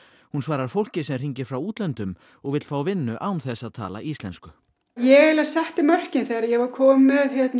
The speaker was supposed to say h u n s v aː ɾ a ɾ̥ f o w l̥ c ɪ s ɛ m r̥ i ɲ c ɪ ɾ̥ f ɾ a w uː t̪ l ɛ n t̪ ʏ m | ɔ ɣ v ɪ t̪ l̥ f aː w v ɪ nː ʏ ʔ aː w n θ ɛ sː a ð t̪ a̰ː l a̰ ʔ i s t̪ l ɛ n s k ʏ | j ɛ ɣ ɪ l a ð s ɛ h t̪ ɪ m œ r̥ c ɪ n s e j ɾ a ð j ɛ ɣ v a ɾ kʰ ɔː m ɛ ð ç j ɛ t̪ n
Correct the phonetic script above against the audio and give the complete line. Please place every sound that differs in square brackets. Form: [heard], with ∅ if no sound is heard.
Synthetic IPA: h u n s v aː ɾ a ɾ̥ f o w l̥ c ɪ s ɛ m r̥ i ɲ c ɪ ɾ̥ f ɾ a w uː t̪ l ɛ n t̪ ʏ m | ɔ ɣ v ɪ t̪ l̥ f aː w v ɪ nː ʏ ʔ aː w n θ ɛ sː a ð [t̪ʰ] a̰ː l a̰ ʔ i s t̪ l ɛ n s k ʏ | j ɛ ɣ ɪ l a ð s ɛ h t̪ ɪ m œ r̥ c ɪ n [θ] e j ɾ a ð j ɛ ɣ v a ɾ kʰ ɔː m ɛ ð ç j ɛ t̪ n